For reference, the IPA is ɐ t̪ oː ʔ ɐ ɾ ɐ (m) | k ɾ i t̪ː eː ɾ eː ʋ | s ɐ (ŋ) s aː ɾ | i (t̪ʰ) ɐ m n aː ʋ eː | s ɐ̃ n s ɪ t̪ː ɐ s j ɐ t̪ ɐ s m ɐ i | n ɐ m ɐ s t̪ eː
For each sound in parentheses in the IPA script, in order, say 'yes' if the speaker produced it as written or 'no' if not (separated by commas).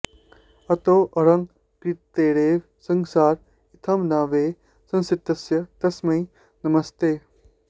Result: no, yes, yes